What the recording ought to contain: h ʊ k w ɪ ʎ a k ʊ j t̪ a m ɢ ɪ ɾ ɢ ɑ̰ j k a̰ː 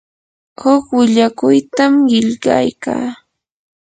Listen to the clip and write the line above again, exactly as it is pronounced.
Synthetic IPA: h ʊ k w ɪ ʎ a k ʊ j t̪ a m ɢ ɪ ʎ ɢ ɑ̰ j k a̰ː

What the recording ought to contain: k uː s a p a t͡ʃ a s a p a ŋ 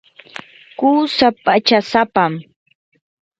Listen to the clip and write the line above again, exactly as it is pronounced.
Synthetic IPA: k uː s a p a t͡ʃ a s a p a m

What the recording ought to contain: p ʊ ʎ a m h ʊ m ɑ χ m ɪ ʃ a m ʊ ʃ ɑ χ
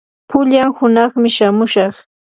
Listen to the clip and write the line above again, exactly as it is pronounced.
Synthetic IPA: p ʊ ʎ a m h ʊ n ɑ χ m ɪ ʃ a m ʊ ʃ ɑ χ

